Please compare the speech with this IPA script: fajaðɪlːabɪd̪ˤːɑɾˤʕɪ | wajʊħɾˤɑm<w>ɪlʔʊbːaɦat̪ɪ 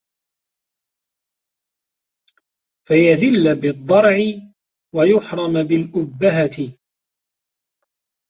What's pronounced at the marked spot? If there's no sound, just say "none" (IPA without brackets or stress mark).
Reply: b